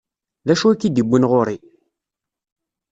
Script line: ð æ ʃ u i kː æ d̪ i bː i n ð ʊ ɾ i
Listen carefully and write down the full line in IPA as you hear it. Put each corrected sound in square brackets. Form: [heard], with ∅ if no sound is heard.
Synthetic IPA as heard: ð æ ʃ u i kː [i] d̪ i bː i n [ʁ] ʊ ɾ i